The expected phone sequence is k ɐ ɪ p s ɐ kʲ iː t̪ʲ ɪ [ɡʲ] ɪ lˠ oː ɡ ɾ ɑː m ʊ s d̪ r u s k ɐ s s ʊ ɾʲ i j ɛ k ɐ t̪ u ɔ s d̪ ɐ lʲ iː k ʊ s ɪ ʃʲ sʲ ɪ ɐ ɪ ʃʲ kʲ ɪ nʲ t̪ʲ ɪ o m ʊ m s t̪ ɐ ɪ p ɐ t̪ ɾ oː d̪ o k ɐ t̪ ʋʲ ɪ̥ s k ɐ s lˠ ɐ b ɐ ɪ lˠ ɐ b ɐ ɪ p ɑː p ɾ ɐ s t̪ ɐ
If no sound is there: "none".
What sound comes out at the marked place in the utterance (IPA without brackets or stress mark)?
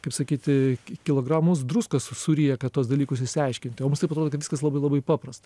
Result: kʲ